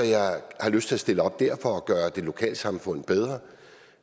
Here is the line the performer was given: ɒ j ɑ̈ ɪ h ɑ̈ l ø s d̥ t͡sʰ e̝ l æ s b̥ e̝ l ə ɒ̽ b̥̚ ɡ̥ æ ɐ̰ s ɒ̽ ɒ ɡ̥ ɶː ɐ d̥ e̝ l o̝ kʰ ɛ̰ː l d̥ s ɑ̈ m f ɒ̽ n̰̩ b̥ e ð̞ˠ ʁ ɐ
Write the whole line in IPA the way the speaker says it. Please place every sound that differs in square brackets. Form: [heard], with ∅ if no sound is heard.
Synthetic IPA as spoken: ɒ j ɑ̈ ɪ h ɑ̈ l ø s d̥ t͡sʰ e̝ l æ s [d̥] e̝ l ə ɒ̽ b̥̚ [d̥] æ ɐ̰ [f] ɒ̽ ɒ ɡ̥ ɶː ɐ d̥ e̝ l o̝ kʰ ɛ̰ː l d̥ s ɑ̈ m f [ɔ̽] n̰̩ b̥ e ð̞ˠ ʁ ɐ